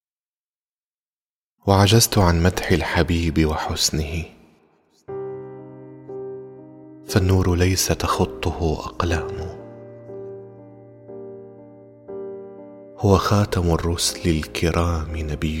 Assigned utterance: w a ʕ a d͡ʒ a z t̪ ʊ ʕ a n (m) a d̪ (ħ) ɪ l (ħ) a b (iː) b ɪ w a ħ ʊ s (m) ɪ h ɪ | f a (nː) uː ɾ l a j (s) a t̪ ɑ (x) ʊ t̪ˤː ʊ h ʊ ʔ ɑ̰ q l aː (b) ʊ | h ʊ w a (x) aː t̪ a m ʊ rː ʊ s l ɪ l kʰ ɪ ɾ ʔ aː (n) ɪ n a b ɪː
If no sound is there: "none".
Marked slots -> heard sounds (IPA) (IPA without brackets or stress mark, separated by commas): m, ħ, ħ, iː, n, nː, s, x, m, x, m